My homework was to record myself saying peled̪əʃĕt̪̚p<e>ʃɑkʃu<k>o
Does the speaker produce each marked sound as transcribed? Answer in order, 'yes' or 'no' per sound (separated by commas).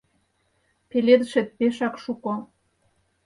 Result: yes, yes